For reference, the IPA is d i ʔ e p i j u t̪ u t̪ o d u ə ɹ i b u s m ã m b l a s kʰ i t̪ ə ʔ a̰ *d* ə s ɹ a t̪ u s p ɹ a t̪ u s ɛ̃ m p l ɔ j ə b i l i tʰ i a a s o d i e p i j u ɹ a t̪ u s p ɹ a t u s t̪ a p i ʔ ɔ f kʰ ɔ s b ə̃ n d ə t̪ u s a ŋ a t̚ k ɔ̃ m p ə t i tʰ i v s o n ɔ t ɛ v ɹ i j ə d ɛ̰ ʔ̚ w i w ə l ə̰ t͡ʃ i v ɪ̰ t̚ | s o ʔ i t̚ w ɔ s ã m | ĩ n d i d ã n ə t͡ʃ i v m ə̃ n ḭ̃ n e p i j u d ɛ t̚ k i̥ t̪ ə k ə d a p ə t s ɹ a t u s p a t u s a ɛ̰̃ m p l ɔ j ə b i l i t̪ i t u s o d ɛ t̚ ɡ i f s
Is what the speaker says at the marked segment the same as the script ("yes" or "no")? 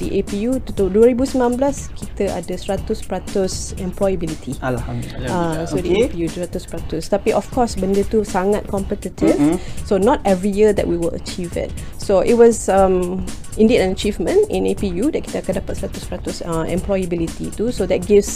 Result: yes